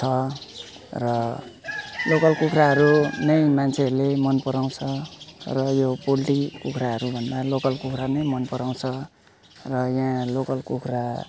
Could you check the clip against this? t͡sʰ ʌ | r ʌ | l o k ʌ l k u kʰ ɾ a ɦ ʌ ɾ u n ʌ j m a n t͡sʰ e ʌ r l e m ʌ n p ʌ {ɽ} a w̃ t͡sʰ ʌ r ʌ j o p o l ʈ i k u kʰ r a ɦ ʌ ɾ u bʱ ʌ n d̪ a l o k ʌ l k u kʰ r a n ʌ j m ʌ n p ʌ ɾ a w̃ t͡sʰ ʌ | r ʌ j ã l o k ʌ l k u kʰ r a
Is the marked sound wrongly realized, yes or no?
yes